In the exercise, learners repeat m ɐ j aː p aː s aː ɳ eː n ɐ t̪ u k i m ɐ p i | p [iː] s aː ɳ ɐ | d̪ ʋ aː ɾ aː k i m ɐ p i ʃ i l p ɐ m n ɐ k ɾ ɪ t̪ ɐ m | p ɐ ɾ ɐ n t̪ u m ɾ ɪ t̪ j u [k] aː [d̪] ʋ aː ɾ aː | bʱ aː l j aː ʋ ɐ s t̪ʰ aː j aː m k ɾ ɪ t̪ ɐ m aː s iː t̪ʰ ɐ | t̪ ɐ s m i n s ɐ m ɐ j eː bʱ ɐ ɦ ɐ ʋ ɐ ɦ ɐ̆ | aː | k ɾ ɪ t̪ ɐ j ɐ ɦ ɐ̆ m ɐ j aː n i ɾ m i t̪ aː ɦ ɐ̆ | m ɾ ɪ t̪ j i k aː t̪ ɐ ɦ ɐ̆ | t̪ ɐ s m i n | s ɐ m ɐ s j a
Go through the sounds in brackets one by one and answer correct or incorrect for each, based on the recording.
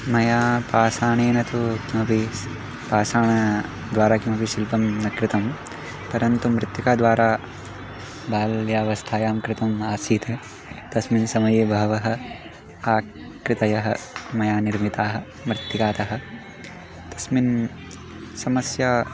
incorrect: aː, correct, correct

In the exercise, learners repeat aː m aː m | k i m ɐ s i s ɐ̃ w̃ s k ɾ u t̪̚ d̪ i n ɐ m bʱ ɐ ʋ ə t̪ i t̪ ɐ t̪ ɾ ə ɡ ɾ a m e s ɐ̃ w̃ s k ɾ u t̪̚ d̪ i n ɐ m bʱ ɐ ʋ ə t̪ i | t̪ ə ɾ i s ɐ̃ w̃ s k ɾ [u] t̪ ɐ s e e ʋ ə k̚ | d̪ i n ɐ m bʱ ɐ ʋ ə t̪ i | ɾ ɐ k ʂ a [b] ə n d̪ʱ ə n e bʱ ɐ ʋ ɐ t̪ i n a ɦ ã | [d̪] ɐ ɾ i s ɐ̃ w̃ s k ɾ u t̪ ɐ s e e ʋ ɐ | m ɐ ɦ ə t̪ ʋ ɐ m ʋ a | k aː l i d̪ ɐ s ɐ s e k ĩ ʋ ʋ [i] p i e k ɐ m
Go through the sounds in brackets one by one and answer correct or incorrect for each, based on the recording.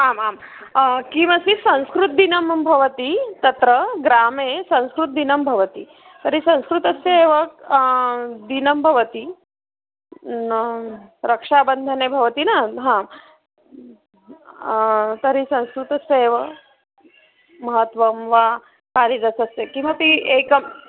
correct, correct, incorrect: t̪, incorrect: a

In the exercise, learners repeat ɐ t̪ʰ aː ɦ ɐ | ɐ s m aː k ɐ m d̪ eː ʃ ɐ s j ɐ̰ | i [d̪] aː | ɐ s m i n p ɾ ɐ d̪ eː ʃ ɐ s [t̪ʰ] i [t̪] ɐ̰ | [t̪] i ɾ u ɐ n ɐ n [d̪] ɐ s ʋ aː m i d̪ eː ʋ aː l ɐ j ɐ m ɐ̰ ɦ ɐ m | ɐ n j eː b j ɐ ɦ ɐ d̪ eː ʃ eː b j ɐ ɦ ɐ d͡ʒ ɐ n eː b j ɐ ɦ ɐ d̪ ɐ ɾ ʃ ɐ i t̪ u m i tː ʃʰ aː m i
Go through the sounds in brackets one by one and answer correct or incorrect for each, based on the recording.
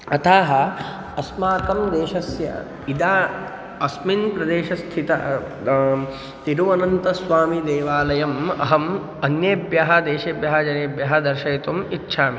correct, correct, correct, correct, incorrect: t̪

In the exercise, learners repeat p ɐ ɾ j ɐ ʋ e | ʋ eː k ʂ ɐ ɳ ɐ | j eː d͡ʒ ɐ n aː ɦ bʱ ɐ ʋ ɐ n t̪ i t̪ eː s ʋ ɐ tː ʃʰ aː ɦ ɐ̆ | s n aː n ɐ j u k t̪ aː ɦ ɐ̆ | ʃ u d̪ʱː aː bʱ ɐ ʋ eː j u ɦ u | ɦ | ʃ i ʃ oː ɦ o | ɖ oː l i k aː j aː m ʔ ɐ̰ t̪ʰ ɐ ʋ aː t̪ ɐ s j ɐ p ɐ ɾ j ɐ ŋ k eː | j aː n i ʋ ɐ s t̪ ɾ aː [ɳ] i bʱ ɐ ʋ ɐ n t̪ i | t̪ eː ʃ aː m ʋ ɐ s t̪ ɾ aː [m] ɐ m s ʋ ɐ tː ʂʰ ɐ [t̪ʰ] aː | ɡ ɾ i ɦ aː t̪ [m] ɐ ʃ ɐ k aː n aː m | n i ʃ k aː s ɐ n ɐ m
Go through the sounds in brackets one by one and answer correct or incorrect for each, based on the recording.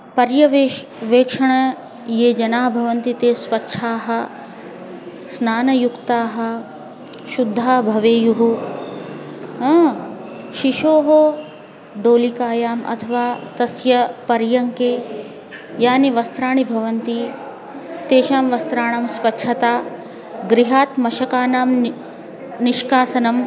correct, incorrect: ɳ, incorrect: t̪, correct

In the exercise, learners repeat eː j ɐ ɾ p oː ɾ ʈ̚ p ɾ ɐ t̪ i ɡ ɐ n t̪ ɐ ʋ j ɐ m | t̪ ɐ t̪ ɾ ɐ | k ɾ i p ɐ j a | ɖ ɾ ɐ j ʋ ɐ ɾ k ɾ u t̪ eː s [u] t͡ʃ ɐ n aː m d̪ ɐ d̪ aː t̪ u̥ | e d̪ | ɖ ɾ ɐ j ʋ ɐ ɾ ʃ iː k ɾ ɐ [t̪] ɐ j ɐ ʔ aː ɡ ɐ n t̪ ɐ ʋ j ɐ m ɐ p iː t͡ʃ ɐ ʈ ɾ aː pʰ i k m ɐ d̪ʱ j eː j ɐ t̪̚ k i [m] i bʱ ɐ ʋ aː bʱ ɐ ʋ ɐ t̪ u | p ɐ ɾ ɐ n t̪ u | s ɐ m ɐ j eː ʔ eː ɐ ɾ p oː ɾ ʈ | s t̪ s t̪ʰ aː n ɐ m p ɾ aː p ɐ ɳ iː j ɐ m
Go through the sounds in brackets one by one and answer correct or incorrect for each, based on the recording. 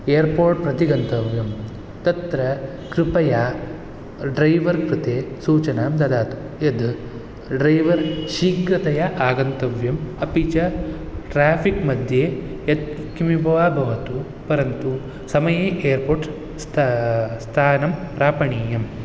incorrect: uː, correct, correct

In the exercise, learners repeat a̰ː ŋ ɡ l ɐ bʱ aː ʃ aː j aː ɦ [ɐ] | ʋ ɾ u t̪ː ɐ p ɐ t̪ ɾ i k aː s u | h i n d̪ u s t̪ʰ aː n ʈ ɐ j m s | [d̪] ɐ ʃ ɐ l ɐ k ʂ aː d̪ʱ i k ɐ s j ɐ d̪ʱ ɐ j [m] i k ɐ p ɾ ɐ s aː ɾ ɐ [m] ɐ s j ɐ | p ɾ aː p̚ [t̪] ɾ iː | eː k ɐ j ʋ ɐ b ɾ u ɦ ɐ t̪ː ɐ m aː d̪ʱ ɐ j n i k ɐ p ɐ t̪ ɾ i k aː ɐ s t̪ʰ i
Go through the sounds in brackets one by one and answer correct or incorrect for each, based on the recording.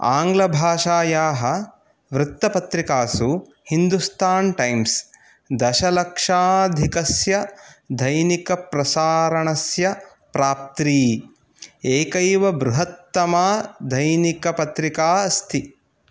correct, correct, incorrect: n, incorrect: ɳ, correct

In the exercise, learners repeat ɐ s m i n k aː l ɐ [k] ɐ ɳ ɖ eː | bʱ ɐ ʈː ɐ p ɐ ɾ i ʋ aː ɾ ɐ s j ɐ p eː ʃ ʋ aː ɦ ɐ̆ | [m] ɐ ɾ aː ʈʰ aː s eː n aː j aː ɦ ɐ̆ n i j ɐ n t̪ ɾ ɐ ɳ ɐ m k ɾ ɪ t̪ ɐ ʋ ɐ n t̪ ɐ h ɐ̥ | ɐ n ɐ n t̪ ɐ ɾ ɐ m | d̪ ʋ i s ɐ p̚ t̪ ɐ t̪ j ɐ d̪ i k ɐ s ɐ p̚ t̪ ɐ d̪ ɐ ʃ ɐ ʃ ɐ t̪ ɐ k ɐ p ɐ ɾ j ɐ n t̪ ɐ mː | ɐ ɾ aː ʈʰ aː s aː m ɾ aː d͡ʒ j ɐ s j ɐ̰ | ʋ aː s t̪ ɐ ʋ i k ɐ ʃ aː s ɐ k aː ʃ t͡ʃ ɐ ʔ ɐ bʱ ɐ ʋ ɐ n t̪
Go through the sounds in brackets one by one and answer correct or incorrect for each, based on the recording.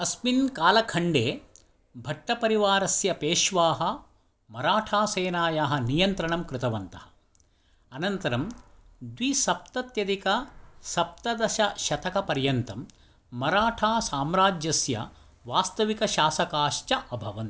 incorrect: kʰ, correct

